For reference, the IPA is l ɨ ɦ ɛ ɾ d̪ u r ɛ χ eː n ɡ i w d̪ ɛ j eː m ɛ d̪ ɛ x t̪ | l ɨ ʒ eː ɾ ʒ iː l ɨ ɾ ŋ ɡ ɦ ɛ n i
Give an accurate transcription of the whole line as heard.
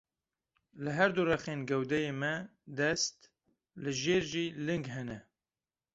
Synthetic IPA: l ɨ ɦ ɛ ɾ d̪ u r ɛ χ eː n ɡ ɛ w d̪ ɛ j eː m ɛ d̪ ɛ s t̪ | l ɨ ʒ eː ɾ ʒ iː l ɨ ŋ ɡ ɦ ɛ n ɛ